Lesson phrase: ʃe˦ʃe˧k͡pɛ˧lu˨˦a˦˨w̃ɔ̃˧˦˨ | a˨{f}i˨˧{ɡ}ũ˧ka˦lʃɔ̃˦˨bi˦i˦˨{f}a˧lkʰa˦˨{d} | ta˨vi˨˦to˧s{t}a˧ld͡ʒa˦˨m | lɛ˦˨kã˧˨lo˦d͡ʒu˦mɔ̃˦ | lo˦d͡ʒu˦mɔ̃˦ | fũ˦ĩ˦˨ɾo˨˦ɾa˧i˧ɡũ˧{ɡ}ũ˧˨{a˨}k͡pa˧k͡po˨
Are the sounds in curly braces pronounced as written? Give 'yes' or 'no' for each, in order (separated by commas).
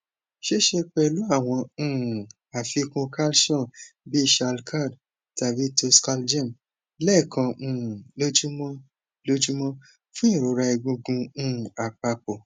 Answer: yes, no, no, yes, no, yes, yes